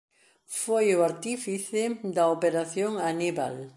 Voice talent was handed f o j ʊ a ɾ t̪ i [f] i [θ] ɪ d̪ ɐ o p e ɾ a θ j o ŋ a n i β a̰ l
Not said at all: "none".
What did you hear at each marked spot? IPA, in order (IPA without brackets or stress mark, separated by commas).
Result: f, θ